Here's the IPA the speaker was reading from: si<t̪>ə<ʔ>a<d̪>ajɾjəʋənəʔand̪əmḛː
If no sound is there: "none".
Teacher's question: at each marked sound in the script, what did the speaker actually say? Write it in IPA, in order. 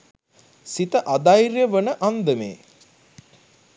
t̪, ʔ, d̪

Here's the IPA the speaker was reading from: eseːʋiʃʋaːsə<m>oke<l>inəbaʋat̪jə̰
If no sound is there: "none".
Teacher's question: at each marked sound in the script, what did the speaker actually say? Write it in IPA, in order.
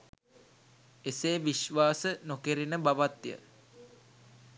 n, ɾ

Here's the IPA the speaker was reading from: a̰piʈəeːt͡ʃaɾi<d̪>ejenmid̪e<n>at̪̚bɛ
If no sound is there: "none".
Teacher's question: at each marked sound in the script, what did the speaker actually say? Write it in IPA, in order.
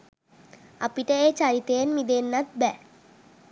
t̪, nː

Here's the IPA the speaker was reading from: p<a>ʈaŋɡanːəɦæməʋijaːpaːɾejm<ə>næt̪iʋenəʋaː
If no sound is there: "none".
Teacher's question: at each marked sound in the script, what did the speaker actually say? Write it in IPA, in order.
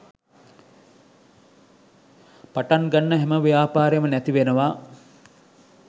a, ə

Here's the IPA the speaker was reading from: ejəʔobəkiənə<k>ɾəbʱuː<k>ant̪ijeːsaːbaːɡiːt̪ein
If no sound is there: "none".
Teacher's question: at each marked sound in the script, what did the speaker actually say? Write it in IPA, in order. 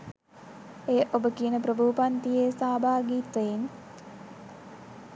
p, p

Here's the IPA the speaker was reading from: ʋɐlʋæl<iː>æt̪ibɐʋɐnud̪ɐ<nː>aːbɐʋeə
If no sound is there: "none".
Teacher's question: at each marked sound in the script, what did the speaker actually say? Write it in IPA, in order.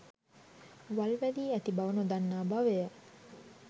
iː, nː

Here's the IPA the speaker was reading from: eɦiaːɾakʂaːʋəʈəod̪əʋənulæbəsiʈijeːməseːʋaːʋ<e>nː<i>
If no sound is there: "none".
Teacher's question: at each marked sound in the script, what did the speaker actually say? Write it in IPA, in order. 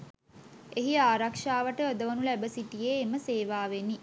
e, i

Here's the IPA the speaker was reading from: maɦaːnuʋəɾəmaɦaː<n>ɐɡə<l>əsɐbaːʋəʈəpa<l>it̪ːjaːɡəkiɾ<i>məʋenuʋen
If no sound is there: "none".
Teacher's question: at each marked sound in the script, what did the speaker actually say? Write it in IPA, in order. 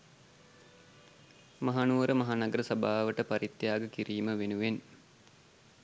n, ɾ, ɾ, iː

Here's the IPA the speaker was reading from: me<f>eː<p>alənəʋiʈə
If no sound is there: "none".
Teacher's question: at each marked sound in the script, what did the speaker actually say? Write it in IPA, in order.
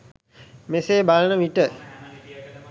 s, b

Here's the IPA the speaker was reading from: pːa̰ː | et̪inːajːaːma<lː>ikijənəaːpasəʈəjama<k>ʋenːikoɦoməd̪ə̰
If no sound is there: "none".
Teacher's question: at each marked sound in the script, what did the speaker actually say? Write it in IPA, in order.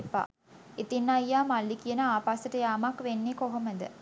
lː, k

